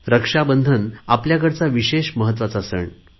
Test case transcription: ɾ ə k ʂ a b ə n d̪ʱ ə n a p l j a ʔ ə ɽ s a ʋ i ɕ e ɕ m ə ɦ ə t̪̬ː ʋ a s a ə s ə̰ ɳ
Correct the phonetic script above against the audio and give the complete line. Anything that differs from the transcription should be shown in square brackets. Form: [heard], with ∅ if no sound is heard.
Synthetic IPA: ɾ ə k ʂ a b ə n d̪ʱ ə n a p l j a [k] ə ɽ [t͡s] a ʋ i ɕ e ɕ m ə ɦ ə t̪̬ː ʋ a [t͡s] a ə s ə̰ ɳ